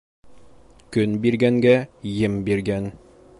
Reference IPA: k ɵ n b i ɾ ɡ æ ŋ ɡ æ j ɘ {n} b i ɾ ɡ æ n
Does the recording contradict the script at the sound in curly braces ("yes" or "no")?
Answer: yes